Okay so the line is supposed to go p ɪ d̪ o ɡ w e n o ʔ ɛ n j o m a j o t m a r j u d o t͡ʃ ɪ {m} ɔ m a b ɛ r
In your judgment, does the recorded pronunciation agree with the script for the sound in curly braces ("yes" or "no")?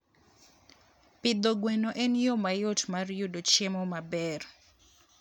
yes